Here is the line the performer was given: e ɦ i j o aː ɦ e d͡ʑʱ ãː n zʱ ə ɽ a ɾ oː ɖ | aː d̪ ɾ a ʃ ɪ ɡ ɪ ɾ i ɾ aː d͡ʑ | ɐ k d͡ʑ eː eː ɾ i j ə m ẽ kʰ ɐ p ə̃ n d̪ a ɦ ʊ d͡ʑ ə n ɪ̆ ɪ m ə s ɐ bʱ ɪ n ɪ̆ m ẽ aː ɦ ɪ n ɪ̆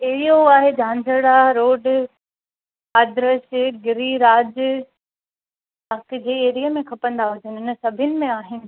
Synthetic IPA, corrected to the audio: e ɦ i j o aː ɦ e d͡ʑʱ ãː n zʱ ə ɽ a ɾ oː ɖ | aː d̪ ɾ ə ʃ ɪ ɡ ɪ ɾ i ɾ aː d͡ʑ | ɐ k d͡ʑ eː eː ɾ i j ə m ẽ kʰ ɐ p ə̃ n d̪ a ɦ ʊ d͡ʑ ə n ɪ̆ ɪ n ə s ɐ bʱ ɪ n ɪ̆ m ẽ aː ɦ ɪ n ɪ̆